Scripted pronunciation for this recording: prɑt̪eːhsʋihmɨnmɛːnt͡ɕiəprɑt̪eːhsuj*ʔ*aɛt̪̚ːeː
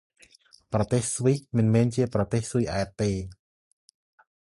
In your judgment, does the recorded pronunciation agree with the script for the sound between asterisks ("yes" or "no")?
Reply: yes